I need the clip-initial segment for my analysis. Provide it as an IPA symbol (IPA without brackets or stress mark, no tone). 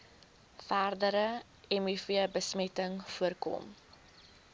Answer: f